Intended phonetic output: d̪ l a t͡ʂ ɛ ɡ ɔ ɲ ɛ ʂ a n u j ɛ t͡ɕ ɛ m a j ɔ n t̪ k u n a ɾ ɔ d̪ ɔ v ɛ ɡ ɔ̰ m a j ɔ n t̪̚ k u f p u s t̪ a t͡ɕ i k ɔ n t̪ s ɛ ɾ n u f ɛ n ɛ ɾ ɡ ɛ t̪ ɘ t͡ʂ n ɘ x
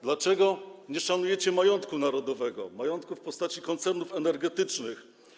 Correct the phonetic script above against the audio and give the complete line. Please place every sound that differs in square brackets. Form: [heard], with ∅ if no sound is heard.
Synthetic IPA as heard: d̪ l a t͡ʂ ɛ ɡ ɔ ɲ ɛ ʂ a n u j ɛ t͡ɕ ɛ m a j ɔ n t̪ k u n a ɾ ɔ d̪ ɔ v ɛ ɡ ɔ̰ m a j ɔ n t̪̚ k u f p [ɔ] s t̪ a t͡ɕ i k ɔ n t̪ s ɛ ɾ n u f ɛ n ɛ ɾ ɡ ɛ t̪ ɘ t͡ʂ n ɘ x